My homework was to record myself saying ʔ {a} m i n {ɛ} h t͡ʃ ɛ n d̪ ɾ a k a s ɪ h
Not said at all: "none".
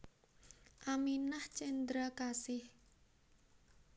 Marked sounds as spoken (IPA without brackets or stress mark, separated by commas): a, a